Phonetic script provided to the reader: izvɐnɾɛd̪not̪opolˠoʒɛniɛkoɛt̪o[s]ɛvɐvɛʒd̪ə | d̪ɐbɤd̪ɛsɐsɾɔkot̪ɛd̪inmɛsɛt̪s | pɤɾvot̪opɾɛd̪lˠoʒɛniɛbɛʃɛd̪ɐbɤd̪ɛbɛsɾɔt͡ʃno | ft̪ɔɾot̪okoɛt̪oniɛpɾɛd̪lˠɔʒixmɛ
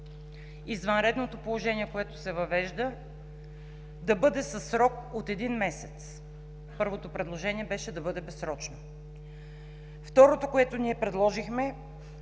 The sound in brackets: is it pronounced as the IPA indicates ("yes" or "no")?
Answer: yes